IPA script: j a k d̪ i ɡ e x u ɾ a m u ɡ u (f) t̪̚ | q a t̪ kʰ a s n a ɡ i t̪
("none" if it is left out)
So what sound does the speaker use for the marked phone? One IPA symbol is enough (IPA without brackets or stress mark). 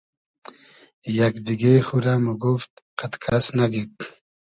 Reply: f